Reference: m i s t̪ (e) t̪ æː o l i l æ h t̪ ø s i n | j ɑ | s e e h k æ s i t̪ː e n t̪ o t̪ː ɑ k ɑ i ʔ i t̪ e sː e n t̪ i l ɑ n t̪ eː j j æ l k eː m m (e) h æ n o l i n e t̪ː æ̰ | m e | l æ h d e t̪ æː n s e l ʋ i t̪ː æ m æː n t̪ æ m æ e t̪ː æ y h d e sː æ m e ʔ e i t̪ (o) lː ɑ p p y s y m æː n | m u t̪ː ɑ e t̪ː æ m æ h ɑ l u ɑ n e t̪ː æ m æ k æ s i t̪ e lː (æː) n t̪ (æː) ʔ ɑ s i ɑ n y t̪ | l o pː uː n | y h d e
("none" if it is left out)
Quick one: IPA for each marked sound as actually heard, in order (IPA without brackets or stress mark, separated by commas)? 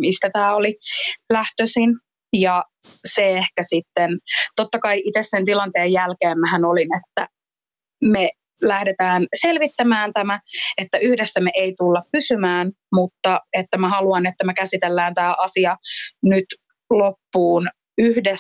æ, æ, u, æː, æː